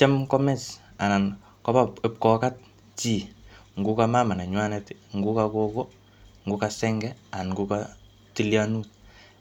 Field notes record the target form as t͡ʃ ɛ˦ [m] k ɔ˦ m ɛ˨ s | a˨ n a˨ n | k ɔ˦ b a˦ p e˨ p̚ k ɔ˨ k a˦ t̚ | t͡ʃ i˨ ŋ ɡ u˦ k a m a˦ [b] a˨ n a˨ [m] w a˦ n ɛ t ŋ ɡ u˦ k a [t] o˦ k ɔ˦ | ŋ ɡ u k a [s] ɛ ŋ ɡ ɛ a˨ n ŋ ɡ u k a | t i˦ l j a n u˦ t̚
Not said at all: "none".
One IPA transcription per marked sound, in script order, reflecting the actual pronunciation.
m, m, ɲ, k, s

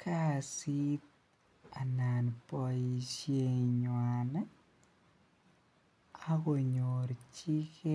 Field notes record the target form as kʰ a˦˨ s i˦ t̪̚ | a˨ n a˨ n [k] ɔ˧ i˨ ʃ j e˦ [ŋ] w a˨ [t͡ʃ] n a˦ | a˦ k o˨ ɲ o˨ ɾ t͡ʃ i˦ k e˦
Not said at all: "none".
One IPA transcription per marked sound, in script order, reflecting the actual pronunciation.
p, ɲ, none

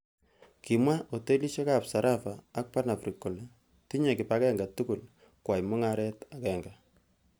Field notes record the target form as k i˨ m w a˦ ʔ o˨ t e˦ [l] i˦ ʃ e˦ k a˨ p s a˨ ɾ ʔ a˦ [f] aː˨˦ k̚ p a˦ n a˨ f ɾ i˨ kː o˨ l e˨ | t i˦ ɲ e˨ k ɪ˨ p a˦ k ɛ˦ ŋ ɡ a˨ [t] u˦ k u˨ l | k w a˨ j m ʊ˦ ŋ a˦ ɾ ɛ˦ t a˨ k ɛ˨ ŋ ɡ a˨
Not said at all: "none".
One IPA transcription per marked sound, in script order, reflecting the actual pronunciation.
l, f, t

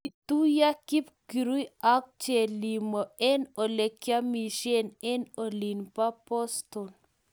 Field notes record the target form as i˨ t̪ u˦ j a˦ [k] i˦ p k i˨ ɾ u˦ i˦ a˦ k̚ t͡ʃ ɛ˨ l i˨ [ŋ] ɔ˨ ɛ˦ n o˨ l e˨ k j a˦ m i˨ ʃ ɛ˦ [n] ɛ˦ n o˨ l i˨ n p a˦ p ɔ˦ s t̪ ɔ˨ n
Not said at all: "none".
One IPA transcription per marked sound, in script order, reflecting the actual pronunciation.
k, m, n

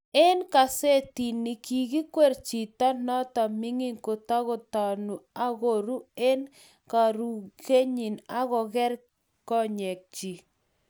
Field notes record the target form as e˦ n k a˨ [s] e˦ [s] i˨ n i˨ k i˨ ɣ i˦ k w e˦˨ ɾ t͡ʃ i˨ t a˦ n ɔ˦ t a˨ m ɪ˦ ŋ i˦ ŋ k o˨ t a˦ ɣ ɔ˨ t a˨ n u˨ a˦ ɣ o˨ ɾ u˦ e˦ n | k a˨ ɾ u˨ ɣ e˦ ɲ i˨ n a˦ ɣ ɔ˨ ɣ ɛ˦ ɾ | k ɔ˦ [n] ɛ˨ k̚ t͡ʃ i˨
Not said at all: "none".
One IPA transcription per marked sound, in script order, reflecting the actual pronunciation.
s, t, ɲ

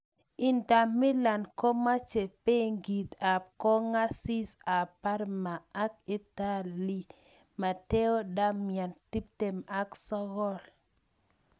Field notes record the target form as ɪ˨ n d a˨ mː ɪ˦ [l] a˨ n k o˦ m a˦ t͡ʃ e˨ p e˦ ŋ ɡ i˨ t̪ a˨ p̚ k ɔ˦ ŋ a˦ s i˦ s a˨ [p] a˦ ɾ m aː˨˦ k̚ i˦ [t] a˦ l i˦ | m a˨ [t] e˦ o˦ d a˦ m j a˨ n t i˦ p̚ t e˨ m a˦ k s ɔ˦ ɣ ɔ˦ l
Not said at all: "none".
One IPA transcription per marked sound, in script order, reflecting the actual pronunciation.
l, p, t, t

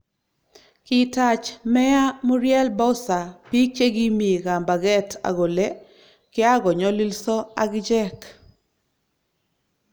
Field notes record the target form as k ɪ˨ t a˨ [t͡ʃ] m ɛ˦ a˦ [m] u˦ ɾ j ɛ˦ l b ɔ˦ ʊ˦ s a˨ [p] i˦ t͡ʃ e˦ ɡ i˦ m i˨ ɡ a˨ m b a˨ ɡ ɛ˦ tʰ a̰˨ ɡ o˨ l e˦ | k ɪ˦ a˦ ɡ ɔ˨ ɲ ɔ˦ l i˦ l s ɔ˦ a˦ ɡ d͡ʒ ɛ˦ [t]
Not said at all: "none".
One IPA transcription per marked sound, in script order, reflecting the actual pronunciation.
t͡ʃ, m, p, k

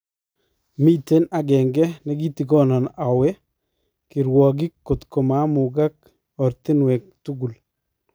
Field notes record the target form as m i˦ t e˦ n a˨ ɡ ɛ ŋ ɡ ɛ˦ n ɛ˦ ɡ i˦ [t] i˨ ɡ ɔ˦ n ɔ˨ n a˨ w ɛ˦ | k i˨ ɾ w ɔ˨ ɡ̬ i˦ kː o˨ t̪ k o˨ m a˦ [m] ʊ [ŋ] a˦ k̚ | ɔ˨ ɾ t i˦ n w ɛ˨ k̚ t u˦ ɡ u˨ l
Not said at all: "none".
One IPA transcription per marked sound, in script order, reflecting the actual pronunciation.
t, m, ɡ

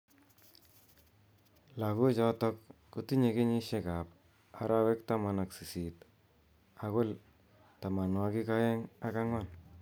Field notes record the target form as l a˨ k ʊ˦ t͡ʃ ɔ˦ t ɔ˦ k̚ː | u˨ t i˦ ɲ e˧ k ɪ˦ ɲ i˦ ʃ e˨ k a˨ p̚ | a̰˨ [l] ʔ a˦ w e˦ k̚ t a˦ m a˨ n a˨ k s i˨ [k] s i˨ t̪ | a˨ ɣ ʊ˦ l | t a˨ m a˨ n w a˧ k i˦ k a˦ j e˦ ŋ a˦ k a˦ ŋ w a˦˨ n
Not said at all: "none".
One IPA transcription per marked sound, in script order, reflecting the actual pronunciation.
ɾ, none

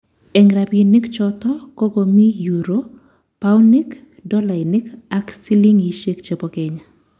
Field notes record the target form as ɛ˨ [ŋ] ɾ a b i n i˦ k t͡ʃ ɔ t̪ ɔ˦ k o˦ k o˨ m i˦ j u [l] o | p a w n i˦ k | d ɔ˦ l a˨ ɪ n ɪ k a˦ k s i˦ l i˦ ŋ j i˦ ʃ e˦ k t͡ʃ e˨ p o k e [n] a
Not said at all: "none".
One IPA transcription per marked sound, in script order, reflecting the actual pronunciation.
ŋ, ɾ, ɲ

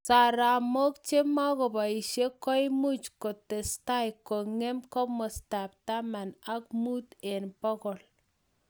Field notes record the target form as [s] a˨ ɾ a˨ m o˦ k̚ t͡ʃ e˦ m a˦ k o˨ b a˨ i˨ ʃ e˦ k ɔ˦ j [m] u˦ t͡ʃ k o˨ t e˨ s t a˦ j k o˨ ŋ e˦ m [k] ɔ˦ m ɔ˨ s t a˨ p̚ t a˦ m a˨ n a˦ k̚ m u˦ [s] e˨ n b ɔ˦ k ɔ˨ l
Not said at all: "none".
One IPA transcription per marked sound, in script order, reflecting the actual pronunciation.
s, m, k, t

